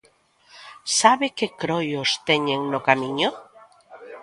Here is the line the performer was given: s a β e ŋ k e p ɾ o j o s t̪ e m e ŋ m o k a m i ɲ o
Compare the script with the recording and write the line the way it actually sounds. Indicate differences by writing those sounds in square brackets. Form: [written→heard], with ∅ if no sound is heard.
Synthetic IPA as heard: s a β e [ŋ→∅] k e [p→k] ɾ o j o s t̪ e [m→ɲ] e ŋ [m→n] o k a m i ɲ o